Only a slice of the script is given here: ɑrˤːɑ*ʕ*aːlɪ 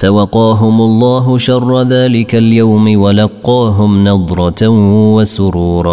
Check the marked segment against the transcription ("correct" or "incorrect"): incorrect